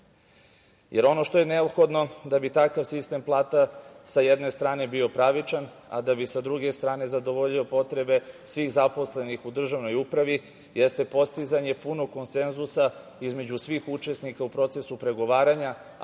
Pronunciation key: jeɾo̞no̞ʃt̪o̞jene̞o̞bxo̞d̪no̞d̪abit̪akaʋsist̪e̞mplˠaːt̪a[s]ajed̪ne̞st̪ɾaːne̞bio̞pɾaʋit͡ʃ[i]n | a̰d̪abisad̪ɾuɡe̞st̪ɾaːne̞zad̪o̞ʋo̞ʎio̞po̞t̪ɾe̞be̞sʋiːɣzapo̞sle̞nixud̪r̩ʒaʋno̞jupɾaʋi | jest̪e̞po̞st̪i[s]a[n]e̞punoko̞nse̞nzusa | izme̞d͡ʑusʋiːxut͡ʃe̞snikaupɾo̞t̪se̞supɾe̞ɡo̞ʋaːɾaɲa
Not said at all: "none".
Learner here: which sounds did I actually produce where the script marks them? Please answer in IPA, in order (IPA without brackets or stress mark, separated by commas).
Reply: s, a, z, ɲ